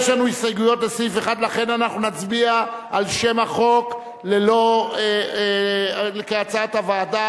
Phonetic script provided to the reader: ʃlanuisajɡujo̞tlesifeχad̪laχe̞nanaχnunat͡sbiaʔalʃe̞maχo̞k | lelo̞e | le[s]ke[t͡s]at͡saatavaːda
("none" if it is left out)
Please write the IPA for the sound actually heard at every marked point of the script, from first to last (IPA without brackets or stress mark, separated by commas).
none, none